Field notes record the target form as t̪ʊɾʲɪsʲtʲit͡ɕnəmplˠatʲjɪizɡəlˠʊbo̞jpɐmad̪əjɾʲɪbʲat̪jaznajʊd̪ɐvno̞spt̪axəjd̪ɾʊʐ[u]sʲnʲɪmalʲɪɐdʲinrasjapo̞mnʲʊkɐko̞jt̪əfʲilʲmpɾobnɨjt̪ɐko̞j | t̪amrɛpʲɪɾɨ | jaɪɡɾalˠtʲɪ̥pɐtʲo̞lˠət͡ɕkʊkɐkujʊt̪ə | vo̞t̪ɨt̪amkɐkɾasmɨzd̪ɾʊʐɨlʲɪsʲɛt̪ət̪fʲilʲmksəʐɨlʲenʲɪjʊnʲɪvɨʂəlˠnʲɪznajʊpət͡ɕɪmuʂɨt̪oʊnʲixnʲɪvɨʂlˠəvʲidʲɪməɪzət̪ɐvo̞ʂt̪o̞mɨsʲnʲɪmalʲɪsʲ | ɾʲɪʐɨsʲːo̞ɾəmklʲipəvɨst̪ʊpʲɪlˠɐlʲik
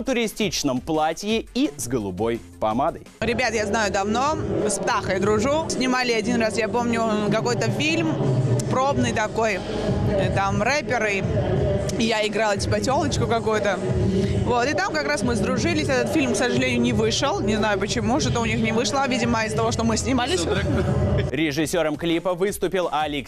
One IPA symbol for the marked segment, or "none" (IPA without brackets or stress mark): u